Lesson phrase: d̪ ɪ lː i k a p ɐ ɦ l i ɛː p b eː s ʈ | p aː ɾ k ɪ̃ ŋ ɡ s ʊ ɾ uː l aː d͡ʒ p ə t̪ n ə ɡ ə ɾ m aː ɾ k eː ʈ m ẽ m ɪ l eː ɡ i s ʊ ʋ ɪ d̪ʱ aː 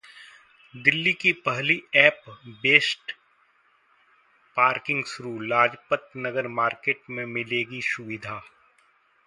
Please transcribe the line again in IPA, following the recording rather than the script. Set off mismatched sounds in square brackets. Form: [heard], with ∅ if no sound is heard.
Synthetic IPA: d̪ ɪ lː i k [i] p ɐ ɦ l i ɛː p b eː s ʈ | p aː ɾ k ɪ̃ ŋ ɡ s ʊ ɾ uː l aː d͡ʒ p ə t̪ n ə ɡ ə ɾ m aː ɾ k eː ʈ m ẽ m ɪ l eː ɡ i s ʊ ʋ ɪ d̪ʱ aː

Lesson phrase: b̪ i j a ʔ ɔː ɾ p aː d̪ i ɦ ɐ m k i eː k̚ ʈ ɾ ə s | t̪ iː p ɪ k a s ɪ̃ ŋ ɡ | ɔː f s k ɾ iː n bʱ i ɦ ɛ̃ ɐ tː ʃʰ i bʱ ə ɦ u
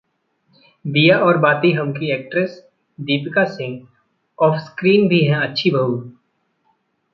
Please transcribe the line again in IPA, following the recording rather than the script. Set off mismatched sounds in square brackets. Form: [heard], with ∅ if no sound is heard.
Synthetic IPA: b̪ i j a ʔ ɔː ɾ [b] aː [t̪] i ɦ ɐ m k i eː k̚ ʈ ɾ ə s | [d̪] iː p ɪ k a s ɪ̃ ŋ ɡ | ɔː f s k ɾ iː n bʱ i ɦ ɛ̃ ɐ tː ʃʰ i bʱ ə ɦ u

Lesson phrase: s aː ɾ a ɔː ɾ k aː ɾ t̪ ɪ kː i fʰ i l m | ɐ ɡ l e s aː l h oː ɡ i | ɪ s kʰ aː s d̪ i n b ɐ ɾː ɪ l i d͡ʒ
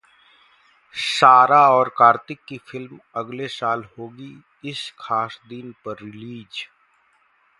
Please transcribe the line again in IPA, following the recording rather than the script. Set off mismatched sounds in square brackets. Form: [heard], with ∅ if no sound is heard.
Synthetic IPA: s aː ɾ a ɔː ɾ k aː ɾ t̪ ɪ kː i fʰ [ɪ] l m | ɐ ɡ l e s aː l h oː ɡ i | ɪ s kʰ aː s d̪ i n [p] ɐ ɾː ɪ l [iː] d͡ʒ

